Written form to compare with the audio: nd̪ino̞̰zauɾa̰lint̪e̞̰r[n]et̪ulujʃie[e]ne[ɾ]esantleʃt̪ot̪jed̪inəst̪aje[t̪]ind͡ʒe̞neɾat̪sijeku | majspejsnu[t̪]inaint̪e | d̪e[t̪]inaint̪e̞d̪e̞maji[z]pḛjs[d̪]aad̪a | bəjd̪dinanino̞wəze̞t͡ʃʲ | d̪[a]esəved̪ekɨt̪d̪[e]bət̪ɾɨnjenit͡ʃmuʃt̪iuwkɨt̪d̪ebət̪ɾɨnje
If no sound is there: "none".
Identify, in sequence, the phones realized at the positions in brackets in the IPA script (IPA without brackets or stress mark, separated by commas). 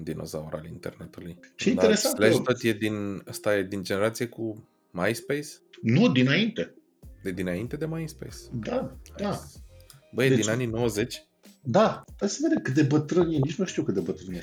n, i, ɾ, d̪, d̪, d̪, s, d̪, a, e